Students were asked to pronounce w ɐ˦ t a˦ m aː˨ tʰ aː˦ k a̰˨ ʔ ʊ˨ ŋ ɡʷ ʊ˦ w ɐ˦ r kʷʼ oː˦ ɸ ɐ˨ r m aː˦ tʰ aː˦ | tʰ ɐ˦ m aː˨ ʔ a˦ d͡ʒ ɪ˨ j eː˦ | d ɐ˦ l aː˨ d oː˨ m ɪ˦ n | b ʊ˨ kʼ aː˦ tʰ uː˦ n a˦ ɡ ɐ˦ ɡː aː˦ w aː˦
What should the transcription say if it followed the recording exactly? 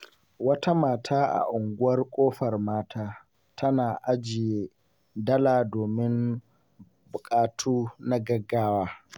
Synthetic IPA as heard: w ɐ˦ t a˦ m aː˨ tʰ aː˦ ʔ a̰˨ ʔ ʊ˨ ŋ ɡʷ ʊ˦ w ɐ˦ r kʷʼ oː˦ ɸ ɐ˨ r m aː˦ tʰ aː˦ | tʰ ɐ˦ n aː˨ ʔ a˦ d͡ʒ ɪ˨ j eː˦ | d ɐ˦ l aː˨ d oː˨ m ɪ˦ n | b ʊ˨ kʼ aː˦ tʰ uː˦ n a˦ ɡ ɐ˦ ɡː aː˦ w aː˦